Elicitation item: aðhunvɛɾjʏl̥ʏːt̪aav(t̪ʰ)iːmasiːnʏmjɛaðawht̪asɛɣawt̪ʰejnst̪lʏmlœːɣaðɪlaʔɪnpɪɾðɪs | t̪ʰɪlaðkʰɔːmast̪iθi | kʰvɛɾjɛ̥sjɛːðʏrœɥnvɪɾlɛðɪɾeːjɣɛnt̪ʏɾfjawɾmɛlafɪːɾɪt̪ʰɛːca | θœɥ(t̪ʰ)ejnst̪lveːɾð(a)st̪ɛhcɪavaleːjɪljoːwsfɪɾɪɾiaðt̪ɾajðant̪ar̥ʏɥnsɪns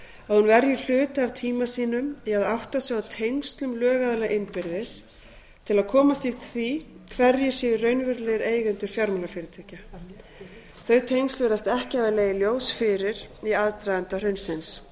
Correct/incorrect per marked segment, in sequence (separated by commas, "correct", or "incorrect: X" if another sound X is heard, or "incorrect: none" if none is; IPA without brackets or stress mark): correct, correct, correct